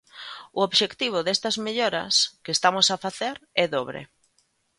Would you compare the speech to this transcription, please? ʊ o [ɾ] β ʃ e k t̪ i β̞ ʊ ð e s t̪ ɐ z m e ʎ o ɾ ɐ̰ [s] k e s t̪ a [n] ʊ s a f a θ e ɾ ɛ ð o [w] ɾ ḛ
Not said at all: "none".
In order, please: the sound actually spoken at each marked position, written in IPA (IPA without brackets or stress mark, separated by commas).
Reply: none, s, m, β